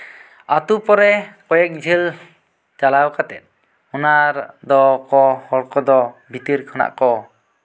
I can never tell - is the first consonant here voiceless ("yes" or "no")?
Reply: yes